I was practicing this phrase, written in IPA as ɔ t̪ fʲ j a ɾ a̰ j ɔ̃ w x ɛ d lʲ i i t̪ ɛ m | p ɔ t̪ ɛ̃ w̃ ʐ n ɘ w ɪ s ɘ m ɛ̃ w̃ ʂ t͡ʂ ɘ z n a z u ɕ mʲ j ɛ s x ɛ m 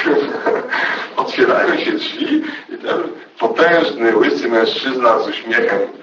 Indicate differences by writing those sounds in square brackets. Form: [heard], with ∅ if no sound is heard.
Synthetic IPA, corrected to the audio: ɔ t̪ fʲ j [ɛ] ɾ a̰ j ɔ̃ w [ɕ] ɛ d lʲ i i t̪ ɛ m | p ɔ t̪ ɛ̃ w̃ ʐ n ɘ w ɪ s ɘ m ɛ̃ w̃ ʂ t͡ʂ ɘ z n a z u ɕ mʲ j ɛ [∅] x ɛ m